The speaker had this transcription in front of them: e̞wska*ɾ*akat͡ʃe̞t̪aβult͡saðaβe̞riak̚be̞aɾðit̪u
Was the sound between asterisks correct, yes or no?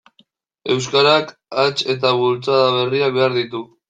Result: yes